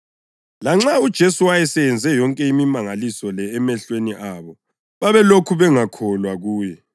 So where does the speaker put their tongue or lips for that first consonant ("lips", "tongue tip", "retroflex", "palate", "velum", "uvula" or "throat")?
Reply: tongue tip